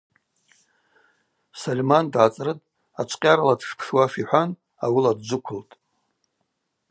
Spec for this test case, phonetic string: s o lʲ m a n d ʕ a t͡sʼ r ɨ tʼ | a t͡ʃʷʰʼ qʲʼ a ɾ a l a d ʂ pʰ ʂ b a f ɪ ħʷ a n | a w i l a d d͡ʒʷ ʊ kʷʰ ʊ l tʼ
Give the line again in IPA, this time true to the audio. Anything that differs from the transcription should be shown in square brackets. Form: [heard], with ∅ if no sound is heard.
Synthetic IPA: s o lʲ m a n d ʕ a t͡sʼ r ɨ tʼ | a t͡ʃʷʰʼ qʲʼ a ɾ a l a d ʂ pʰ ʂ [w] a f [i] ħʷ a n | a w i l a d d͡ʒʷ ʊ kʷʰ ʊ l tʼ